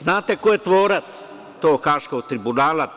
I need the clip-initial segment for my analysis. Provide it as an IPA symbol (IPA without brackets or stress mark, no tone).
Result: z